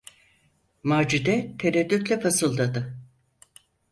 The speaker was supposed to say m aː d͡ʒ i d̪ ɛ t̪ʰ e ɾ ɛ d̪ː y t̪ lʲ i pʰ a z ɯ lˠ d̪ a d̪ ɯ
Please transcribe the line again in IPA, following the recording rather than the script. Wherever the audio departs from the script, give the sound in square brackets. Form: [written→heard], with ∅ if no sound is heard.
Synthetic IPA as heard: m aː d͡ʒ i d̪ ɛ t̪ʰ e ɾ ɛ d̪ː y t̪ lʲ [i→ɛ] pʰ a [z→s] ɯ lˠ d̪ a d̪ ɯ